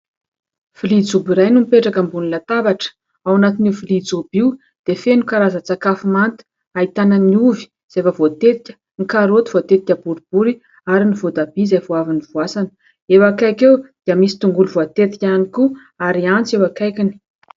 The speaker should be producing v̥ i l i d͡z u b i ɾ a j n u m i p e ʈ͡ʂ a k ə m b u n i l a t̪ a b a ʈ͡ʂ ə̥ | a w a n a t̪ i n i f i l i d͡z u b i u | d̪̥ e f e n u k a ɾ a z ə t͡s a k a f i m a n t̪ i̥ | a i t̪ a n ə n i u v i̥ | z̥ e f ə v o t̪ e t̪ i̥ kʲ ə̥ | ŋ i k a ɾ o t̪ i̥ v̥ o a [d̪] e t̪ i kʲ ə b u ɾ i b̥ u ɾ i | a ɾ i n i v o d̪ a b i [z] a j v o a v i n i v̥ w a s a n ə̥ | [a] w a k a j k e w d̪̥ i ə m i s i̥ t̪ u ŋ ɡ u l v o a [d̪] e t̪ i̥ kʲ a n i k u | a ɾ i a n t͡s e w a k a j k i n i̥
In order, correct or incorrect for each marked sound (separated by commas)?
incorrect, correct, incorrect, incorrect